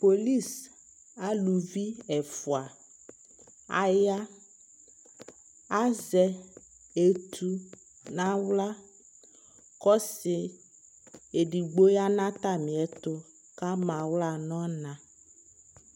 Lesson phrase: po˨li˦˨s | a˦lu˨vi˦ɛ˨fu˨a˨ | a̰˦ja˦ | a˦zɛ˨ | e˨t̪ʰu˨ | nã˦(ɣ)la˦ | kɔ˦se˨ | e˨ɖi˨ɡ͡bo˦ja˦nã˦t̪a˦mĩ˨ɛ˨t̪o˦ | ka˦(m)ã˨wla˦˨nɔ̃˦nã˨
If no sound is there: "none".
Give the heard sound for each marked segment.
w, m

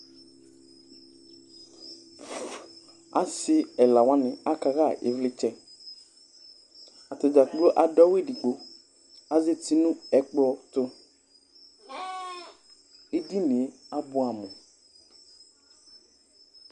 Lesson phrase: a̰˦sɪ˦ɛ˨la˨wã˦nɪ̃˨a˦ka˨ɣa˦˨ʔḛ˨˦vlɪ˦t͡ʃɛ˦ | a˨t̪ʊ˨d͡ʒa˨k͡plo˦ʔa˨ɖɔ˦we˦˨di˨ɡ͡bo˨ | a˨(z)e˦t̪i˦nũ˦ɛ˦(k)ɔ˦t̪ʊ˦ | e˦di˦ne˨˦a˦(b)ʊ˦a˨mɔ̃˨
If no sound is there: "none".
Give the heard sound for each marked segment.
z, k͡p, b

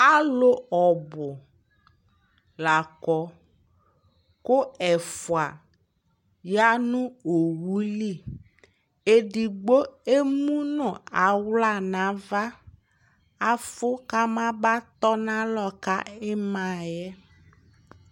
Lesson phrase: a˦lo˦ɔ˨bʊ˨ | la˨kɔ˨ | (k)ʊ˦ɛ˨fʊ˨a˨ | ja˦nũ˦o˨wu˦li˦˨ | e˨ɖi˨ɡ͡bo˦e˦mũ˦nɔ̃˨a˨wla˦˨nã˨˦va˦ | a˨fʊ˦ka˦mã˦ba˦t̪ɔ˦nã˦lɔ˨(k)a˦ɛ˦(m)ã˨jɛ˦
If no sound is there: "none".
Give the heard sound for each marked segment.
k, k, m

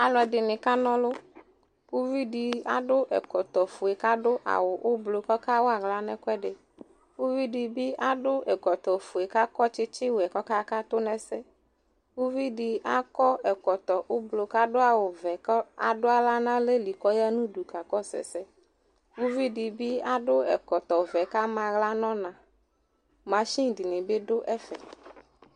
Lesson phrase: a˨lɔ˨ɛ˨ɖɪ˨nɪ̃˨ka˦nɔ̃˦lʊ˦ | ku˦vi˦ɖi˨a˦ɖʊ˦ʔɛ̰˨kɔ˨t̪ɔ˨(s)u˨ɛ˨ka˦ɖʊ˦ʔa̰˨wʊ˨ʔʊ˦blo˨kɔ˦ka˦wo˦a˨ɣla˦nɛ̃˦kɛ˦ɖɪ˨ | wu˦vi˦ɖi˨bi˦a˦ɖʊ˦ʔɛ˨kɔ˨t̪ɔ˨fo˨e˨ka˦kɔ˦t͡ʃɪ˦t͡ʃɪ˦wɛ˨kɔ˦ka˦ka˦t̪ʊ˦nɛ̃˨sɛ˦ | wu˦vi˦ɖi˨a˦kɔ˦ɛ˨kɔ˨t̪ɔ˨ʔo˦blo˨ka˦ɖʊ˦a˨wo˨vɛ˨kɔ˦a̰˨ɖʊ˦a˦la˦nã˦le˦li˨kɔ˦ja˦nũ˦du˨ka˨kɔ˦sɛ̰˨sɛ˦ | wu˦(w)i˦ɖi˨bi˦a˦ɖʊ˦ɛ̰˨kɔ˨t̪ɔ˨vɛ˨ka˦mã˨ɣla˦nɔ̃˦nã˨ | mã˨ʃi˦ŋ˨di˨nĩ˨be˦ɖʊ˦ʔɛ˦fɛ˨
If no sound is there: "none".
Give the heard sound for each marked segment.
f, v

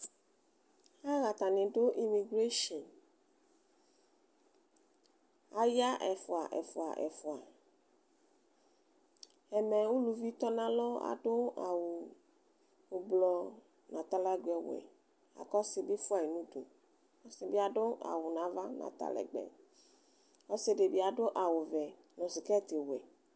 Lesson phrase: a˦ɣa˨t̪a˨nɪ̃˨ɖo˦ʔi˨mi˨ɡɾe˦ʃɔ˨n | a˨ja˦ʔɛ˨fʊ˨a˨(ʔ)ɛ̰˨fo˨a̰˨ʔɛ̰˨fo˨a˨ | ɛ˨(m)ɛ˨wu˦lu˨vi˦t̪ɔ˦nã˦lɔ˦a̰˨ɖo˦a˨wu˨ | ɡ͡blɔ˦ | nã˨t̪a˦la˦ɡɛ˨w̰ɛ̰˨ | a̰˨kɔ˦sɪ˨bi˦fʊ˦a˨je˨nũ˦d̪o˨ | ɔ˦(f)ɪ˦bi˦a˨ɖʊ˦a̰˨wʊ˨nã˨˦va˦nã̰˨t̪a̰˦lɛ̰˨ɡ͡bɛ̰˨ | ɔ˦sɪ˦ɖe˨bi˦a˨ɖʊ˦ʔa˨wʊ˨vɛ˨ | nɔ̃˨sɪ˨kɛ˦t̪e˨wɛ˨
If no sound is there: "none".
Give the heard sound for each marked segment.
ʔ, m, s

